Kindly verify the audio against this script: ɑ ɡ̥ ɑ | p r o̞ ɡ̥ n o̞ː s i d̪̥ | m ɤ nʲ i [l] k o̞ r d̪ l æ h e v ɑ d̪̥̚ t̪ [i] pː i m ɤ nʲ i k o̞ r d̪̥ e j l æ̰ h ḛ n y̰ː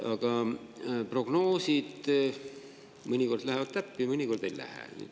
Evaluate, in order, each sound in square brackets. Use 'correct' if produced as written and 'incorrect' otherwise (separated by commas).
incorrect, incorrect